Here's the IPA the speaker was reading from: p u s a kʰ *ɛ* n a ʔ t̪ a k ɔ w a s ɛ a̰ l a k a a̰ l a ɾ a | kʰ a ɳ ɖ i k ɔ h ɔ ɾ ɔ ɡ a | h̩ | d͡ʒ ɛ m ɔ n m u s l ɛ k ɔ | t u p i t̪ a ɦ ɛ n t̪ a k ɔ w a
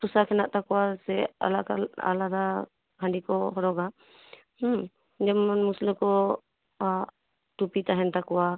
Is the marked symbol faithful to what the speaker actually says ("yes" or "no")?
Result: yes